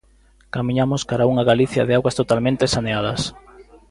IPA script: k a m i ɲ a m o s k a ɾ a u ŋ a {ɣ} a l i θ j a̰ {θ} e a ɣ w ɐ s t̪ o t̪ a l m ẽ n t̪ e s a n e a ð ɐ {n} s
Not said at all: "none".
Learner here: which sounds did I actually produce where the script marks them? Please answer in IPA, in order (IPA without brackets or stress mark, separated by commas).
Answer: ɣ, ð, none